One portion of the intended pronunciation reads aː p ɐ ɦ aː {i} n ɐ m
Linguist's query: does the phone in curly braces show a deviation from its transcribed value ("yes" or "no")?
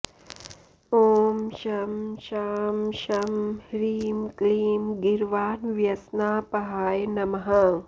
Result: yes